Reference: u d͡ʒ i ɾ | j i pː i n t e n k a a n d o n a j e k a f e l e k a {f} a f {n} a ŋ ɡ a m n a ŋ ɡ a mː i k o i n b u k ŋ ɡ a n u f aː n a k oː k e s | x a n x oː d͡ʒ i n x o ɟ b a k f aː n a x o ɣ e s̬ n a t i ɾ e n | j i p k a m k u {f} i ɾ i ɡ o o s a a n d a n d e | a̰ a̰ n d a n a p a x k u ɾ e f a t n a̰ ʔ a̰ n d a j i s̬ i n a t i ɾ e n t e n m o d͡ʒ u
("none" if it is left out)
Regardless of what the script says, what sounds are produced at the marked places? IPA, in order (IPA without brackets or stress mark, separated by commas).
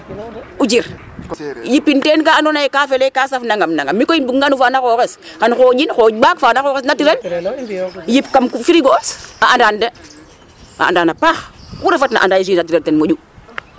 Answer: s, n, f